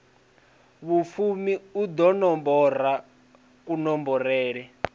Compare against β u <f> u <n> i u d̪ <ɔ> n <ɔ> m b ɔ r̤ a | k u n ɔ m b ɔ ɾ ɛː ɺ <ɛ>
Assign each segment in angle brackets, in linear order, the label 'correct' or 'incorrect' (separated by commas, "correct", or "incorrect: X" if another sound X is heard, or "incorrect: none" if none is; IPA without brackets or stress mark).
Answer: correct, incorrect: m, correct, correct, correct